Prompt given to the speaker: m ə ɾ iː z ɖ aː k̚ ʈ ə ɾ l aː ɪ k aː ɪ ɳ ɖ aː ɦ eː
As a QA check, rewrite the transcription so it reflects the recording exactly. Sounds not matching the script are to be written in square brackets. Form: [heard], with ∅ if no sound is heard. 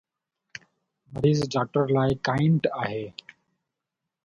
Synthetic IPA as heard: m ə ɾ iː z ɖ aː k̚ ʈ ə ɾ l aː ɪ k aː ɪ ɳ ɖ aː ɦ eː